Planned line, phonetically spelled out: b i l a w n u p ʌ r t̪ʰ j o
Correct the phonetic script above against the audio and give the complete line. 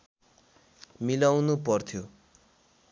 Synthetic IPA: m i l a w n u p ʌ r t̪ʰ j o